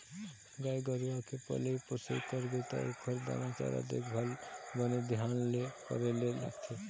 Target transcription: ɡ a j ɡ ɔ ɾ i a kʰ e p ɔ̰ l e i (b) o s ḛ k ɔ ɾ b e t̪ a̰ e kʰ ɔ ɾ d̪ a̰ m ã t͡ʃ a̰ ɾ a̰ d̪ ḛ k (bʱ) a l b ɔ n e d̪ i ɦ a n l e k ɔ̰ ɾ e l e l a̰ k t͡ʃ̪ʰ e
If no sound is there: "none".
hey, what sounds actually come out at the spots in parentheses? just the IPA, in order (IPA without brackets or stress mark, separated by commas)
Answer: p, bʱ